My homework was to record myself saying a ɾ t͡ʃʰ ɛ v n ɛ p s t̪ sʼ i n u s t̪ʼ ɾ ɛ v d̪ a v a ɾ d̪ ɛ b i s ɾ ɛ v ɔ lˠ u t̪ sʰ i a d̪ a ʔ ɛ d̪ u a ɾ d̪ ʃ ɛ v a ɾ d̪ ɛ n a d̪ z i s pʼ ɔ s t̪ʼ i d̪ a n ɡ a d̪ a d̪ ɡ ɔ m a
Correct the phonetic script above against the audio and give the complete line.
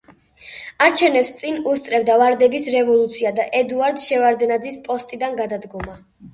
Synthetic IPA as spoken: a ɾ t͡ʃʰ ɛ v n ɛ p s t̪ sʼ i n u s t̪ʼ ɾ ɛ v d̪ a v a ɾ d̪ ɛ b i s ɾ ɛ v ɔ lˠ u t̪ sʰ i a d̪ a ʔ ɛ d̪ u a ɾ d̪ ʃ ɛ v a ɾ d̪ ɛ n a d̪ z i s pʼ ɔ s t̪ʼ i d̪ a n ɡ a d̪ a d̪ ɡ ɔ m a